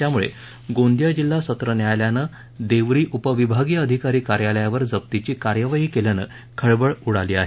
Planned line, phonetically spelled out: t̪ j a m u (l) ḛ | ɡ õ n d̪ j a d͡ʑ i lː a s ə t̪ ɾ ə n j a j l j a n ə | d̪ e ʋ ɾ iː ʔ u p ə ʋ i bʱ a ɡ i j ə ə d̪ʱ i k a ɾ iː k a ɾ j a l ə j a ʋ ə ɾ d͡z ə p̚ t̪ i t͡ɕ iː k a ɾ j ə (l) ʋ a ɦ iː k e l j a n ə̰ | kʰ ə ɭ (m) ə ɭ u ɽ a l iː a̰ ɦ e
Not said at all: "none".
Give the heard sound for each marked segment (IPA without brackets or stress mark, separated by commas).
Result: ɭ, none, b